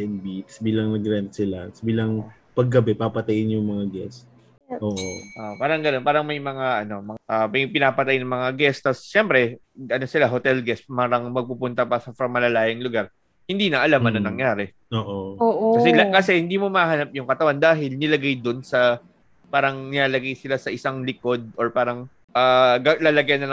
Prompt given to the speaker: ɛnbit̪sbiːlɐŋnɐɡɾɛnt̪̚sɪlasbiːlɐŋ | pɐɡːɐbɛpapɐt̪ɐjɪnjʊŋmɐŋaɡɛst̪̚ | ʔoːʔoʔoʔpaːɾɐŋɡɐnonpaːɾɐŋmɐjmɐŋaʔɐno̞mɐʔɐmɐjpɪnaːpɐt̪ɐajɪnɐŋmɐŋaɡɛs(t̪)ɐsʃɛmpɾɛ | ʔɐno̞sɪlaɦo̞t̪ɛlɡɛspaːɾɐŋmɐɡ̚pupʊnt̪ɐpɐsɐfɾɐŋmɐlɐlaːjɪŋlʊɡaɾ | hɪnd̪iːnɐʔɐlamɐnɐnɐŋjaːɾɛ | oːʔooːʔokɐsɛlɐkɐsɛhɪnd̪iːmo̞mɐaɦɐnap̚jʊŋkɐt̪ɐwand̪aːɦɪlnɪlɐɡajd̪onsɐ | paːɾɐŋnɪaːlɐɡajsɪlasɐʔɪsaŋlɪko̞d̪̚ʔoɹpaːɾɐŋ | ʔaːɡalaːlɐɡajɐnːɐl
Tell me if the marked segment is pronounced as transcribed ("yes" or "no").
yes